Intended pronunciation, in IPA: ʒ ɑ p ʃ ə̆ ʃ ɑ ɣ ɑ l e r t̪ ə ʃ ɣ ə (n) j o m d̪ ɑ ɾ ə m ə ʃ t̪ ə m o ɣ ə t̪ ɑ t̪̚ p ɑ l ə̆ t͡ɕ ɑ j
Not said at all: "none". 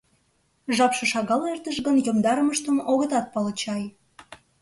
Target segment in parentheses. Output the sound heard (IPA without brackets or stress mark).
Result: n